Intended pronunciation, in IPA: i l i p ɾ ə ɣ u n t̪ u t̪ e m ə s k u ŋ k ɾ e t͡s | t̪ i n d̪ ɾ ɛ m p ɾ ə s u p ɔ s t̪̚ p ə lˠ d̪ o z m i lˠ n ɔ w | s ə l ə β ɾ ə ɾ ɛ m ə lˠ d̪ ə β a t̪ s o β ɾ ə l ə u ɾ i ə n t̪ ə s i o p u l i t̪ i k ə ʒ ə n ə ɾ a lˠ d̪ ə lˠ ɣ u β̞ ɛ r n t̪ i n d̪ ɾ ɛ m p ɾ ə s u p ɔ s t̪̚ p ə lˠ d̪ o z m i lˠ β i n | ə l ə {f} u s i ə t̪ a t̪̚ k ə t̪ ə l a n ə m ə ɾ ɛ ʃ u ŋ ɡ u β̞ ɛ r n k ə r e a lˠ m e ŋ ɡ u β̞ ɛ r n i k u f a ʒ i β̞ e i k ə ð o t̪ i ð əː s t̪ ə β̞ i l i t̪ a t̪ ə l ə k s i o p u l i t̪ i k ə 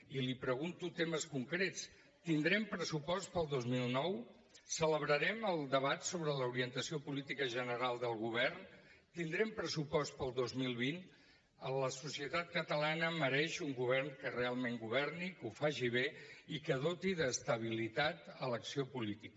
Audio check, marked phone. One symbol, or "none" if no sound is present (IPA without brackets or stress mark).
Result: s